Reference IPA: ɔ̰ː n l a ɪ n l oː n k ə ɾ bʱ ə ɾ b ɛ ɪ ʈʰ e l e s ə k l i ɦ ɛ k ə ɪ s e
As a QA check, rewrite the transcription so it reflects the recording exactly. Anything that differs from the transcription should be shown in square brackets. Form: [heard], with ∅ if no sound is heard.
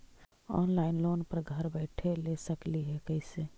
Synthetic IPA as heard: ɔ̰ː n l a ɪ n l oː n [p] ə ɾ [ɡʱ] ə ɾ b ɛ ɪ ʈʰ e l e s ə k l i ɦ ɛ k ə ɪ s e